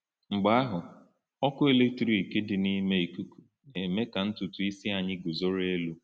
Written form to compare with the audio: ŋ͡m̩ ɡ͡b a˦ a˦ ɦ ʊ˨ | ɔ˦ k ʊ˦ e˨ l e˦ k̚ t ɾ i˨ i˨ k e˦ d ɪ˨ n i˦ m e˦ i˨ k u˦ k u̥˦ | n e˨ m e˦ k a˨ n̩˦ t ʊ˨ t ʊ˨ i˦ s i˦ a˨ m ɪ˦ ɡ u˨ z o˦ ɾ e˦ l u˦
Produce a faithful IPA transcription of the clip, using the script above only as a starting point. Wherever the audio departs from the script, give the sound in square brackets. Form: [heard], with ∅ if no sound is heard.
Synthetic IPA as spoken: ŋ͡m̩ ɡ͡b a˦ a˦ ɦ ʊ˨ | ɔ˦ k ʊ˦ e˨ l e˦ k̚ t ɾ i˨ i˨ k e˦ d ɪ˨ n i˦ m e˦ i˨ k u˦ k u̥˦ | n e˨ m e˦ k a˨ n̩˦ t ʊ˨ t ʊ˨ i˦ s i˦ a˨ [ɲ] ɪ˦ ɡ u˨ z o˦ ɾ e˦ l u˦

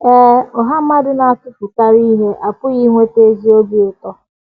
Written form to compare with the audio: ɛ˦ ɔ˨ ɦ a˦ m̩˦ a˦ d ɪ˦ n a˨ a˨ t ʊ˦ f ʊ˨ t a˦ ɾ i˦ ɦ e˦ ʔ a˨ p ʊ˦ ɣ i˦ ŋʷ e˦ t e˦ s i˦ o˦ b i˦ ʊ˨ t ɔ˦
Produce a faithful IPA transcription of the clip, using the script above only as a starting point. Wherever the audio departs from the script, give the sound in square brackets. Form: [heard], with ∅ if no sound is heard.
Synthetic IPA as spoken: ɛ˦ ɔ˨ ɦ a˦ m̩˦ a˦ d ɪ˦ n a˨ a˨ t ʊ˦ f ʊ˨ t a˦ ɾ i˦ ɦ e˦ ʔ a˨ p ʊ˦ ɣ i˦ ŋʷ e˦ t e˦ [z] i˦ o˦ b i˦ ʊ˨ t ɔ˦

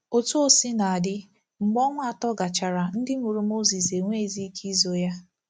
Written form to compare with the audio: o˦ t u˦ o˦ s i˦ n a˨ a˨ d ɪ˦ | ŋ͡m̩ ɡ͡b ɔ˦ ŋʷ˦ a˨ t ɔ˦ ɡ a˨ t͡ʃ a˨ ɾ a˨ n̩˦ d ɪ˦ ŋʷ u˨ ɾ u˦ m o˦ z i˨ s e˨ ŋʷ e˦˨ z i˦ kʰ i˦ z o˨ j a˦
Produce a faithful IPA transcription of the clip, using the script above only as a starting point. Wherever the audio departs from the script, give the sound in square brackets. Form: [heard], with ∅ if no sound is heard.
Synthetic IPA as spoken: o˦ t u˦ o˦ s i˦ n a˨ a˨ d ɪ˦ | ŋ͡m̩ ɡ͡b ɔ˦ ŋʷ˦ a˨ t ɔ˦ ɡ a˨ t͡ʃ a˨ ɾ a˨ n̩˦ d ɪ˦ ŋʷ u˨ ɾ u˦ m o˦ z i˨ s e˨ ŋʷ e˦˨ z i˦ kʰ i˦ z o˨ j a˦

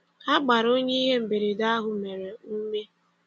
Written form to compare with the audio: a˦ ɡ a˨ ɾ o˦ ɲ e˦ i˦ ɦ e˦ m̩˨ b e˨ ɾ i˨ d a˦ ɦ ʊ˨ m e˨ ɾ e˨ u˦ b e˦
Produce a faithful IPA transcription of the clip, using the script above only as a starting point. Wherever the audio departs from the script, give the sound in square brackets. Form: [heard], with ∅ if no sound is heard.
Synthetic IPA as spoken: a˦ [ɡ͡b] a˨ ɾ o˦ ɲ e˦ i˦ ɦ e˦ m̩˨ b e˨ ɾ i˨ d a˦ ɦ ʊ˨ m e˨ ɾ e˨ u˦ [m] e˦

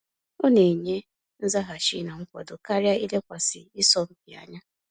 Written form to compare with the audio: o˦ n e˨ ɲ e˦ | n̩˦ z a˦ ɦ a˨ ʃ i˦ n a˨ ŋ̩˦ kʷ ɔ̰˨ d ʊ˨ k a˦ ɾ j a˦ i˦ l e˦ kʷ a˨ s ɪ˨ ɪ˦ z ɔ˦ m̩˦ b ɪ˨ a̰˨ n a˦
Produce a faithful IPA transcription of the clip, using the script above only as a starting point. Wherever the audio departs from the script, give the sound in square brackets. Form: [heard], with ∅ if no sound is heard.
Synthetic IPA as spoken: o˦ n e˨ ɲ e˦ | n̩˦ z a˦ ɦ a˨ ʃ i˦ n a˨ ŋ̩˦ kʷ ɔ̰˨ d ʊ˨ k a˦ ɾ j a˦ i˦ l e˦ kʷ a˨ s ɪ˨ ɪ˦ [s] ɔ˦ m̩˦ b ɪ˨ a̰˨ [ɲ] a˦

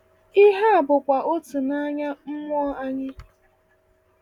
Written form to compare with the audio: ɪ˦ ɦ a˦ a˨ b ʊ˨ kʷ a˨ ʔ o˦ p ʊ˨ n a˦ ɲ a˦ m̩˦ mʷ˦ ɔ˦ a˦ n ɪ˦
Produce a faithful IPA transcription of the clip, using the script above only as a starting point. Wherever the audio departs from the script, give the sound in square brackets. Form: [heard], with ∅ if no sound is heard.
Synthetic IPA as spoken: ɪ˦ ɦ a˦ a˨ b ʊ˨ kʷ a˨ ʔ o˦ [t] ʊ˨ n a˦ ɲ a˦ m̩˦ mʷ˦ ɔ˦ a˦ [ɲ] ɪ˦

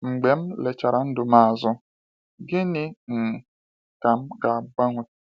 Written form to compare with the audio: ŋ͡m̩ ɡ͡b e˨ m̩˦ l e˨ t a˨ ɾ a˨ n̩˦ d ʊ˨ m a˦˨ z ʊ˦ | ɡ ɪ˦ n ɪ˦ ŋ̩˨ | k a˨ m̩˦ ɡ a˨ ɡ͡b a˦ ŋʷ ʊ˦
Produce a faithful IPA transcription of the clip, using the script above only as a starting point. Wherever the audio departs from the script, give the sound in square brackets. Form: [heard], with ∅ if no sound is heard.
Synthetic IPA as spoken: ŋ͡m̩ ɡ͡b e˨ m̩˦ l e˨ [t͡ʃ] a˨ ɾ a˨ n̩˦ d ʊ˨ m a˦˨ z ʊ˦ | ɡ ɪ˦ n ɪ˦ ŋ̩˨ | k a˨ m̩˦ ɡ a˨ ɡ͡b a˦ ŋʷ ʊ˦

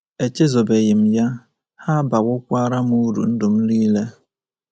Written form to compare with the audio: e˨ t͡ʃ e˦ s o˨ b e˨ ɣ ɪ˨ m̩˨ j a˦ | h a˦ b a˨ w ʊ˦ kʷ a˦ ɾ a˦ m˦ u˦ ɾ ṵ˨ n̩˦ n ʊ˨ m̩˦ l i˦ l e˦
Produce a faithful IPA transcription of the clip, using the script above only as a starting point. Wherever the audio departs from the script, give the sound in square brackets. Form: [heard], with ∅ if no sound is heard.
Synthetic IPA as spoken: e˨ t͡ʃ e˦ [z] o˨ b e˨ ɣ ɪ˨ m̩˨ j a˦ | h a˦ b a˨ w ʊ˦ kʷ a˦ ɾ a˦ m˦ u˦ ɾ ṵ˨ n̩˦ [d] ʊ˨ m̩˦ l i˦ l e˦

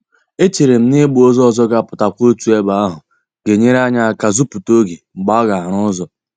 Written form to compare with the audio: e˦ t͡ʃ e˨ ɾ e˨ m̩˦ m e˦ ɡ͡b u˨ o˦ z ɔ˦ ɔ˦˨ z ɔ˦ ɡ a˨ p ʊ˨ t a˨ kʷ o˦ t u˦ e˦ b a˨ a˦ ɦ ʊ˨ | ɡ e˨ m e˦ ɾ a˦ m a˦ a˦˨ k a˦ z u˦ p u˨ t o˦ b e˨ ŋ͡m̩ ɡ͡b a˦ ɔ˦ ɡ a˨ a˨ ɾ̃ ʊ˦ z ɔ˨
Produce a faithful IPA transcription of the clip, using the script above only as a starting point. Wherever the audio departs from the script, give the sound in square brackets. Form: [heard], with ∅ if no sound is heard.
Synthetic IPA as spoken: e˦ t͡ʃ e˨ ɾ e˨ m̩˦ [n] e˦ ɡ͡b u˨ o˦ z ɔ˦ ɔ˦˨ z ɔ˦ ɡ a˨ p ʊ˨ t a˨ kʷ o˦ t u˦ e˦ b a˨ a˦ ɦ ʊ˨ | ɡ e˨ [ɲ] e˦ ɾ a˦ [ɲ] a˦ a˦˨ k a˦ z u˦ p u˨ t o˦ [ɡ] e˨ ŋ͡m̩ ɡ͡b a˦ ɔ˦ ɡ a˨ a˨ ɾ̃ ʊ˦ z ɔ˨

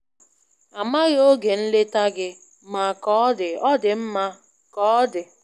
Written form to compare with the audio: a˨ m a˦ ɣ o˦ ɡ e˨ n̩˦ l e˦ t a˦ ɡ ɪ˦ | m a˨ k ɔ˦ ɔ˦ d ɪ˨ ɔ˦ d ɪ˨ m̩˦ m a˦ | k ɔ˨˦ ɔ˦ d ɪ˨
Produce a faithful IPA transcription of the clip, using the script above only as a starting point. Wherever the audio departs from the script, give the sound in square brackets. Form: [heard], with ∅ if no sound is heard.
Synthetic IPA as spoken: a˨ m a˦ ɣ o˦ ɡ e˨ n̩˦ l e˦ t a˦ ɡ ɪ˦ | m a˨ k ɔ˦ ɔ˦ d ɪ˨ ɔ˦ d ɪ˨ m̩˦ m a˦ | k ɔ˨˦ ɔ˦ d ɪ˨

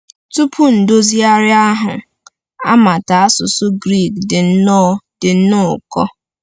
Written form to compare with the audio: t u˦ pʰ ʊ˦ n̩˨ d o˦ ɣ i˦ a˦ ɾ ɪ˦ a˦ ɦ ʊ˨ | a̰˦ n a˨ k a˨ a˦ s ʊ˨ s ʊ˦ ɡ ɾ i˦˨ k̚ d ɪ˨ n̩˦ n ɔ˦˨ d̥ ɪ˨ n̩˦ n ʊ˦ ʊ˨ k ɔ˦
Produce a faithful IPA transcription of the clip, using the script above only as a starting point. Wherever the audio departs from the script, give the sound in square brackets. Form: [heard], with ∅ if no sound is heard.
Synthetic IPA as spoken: t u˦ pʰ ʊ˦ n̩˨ d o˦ [z] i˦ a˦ ɾ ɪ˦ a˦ ɦ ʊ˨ | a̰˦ [m] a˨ [t] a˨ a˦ s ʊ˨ s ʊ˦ ɡ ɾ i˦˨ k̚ d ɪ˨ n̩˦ n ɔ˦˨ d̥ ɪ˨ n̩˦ n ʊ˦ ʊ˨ k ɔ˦

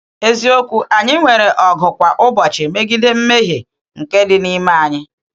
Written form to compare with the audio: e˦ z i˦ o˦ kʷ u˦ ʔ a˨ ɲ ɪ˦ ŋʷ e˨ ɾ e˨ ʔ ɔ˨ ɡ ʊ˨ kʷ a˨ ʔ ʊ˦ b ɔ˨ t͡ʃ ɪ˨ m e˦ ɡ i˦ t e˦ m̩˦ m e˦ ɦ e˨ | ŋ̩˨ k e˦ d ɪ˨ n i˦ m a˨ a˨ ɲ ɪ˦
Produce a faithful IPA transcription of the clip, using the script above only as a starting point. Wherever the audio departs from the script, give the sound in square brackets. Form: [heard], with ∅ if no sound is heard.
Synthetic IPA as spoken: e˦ z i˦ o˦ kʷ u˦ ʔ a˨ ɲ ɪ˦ ŋʷ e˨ ɾ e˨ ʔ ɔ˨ ɡ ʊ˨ kʷ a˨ ʔ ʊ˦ b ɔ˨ t͡ʃ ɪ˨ m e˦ ɡ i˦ [d] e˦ m̩˦ m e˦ ɦ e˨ | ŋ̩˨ k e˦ d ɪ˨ n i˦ m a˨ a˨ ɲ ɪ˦

